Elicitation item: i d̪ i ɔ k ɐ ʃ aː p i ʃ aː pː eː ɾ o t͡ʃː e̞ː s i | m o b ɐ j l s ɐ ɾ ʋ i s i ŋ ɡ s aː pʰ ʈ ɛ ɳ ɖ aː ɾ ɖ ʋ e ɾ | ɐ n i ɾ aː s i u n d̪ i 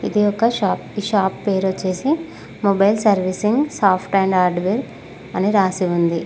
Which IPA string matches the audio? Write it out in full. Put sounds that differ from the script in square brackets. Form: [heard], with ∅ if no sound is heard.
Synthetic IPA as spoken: i d̪ i ɔ k ɐ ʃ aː p i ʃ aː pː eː ɾ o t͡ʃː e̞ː s i | m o b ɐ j l s ɐ ɾ ʋ i s i ŋ ɡ s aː pʰ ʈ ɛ ɳ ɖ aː ɾ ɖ ʋ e ɾ | ɐ n i ɾ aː s i u n d̪ i